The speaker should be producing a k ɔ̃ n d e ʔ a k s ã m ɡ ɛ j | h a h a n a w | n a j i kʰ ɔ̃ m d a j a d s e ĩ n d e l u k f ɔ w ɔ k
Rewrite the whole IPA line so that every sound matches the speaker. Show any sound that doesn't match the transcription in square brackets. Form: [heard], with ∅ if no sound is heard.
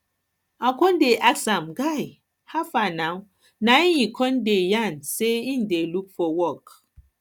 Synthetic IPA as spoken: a k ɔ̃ n d e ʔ a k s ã m ɡ [a] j | h a [f] a n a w | n a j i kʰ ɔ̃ [n] d [e] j a [n] s e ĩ n d e l u k f ɔ w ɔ k